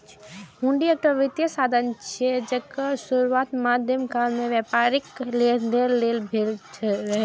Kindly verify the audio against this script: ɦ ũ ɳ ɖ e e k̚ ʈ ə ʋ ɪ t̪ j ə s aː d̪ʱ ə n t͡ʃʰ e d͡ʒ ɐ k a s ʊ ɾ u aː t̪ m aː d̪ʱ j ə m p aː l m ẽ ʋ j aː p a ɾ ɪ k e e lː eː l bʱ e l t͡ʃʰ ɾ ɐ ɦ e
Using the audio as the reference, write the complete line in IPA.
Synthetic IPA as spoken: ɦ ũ ɳ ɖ i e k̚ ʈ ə ʋ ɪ t̪ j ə s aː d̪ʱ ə n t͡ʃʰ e d͡ʒ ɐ k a s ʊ ɾ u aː t̪ m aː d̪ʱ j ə m k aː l m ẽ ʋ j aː p a ɾ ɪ k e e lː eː l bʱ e l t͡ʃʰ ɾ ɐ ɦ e